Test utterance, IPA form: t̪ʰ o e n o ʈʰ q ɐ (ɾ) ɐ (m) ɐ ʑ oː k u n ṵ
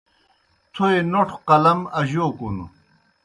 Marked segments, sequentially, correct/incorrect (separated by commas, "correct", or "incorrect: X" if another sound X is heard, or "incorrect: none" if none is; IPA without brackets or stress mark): incorrect: l, correct